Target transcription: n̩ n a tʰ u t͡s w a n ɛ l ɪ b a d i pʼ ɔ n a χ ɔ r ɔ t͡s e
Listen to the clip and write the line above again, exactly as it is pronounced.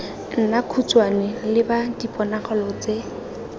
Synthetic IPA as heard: n̩ n a kʰ u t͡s w a n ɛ l ɪ b a d i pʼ ɔ n a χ ɔ l ɔ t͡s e